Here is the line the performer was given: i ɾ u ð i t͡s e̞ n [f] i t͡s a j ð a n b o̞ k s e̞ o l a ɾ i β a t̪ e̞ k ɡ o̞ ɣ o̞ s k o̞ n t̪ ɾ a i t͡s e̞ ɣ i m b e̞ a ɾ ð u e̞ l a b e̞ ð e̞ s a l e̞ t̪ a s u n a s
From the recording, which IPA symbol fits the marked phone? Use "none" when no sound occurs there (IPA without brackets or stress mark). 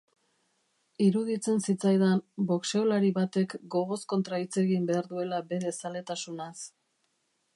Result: s